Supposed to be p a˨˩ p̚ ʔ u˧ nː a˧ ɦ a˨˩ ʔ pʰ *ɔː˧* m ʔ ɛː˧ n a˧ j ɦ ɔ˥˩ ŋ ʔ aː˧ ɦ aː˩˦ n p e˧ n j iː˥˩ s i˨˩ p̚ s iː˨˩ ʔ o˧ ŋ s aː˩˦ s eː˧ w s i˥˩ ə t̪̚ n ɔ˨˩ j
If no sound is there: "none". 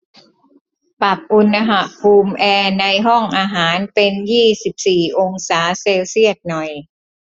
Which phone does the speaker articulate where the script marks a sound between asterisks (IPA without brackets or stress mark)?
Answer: uː˧